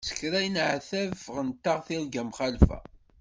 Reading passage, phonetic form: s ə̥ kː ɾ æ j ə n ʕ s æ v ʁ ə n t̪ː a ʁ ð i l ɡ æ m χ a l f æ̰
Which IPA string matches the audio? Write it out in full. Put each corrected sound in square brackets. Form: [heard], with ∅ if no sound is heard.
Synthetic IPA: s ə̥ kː ɾ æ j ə n ʕ [θ] æ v ʁ ə n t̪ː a ʁ [θ] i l ɡ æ m χ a l f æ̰